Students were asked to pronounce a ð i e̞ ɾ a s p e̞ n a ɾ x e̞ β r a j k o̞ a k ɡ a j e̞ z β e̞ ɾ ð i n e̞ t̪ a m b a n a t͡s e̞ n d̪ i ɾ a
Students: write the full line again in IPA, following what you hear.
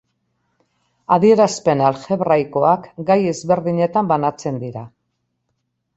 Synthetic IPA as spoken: a ð i e̞ ɾ a s p e̞ n a l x e̞ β r a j k o̞ a k ɡ a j e̞ z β e̞ ɾ ð i ɲ e̞ t̪ a m b a n a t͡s e̞ n d̪ i ɾ a

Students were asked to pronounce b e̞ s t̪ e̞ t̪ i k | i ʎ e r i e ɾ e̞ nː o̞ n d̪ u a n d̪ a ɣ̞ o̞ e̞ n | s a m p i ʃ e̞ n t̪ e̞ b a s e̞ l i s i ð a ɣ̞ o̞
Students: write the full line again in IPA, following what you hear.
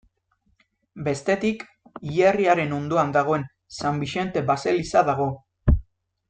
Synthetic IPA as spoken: b e̞ s t̪ e̞ t̪ i k | i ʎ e r i a ɾ e̞ n o̞ n d̪ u a n d̪ a ɣ̞ o̞ e̞ n | s a m b i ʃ e̞ n t̪ e̞ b a s e̞ l i s a ð a ɣ̞ o̞

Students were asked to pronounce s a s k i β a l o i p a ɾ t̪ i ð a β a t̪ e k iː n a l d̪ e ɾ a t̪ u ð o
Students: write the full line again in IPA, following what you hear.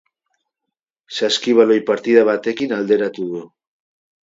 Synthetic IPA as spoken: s a s k i β a l o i p a ɾ t̪ i ð a β a t̪ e k i n a l d̪ e ɾ a t̪ u ð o

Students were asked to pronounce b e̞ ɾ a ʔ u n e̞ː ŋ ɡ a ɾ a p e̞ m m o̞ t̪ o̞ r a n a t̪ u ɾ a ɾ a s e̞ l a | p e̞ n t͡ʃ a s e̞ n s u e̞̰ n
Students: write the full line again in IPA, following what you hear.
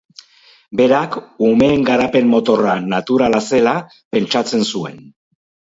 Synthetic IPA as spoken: b e̞ ɾ a k u m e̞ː ŋ ɡ a ɾ a p e̞ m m o̞ t̪ o̞ r a n a t̪ u ɾ a l a s e̞ l a | p e̞ n t͡ʃ a t͡s e̞ n s u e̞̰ n

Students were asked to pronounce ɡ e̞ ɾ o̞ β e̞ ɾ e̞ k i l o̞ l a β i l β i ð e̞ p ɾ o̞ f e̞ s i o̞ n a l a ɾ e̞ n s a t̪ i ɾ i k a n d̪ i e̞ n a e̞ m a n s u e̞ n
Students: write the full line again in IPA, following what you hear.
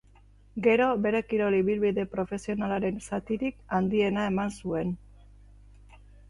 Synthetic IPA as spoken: ɡ e̞ ɾ o̞ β e̞ ɾ e̞ k i ɾ o̞ l i β i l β i ð e̞ p ɾ o̞ f e̞ s i o̞ n a l a ɾ e̞ n s a t̪ i ɾ i k a n d̪ i e̞ n a e̞ m a n s u e̞ n

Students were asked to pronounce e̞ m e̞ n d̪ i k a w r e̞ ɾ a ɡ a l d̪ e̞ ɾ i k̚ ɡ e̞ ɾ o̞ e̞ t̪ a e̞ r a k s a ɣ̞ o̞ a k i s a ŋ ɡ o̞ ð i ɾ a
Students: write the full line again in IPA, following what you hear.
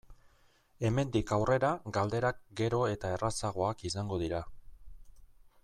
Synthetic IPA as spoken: e̞ m e̞ n d̪ i k a w r e̞ ɾ a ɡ a l d̪ e̞ ɾ a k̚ ɡ e̞ ɾ o̞ e̞ t̪ a e̞ r a s a ɣ̞ o̞ a k i s a ŋ ɡ o̞ ð i ɾ a

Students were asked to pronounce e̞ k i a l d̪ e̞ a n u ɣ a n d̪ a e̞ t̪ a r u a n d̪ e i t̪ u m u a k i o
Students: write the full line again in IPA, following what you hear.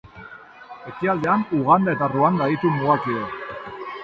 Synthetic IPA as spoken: e̞ k i a l d̪ e̞ a n u ɣ a n d̪ a e̞ t̪ a r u a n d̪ a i t̪ u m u a k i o

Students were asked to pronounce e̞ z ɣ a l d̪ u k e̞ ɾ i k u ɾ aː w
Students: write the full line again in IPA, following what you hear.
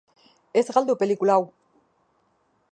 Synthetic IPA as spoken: e̞ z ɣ a l d̪ u p e̞ l i k u l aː w

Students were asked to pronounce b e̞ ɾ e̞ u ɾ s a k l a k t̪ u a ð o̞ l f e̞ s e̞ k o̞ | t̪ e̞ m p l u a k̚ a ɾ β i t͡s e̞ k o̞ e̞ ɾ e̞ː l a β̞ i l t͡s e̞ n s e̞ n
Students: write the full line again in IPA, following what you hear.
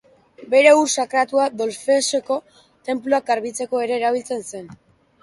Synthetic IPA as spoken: b e̞ ɾ e̞ u ɾ s a k ɾ a t̪ u a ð o̞ l f e̞ s e̞ k o̞ | t̪ e̞ m p l u a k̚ a ɾ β i t͡s e̞ k o̞ e̞ ɾ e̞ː ɾ a β̞ i l t͡s e̞ n s e̞ n

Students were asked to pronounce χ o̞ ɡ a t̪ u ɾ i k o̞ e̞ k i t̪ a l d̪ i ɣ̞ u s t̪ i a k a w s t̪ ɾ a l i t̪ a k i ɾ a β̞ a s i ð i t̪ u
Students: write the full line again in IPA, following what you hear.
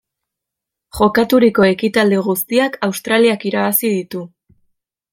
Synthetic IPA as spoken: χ o̞ k a t̪ u ɾ i k o̞ e̞ k i t̪ a l d̪ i ɣ̞ u s t̪ i a k a w s t̪ ɾ a l i a k i ɾ a β̞ a s i ð i t̪ u

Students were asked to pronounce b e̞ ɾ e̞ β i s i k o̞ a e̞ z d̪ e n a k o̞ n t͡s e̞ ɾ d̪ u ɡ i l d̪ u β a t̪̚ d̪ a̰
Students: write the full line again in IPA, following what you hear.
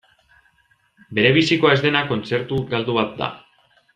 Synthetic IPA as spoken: b e̞ ɾ e̞ β i s i k o̞ a e̞ z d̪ e n a k o̞ n t͡s e̞ ɾ t̪ u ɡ a l d̪ u β a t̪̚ d̪ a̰

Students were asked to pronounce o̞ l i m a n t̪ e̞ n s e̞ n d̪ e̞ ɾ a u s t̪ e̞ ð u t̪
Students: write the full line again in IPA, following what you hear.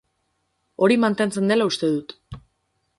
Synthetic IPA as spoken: o̞ ɾ i m a n t̪ e̞ n t͡s e̞ n d̪ e̞ l a u s t̪ e̞ ð u t̪

